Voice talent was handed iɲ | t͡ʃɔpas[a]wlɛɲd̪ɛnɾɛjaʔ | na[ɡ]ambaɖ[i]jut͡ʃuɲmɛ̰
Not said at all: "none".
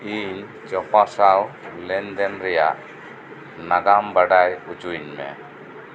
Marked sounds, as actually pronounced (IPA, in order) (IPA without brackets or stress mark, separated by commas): a, ɡ, a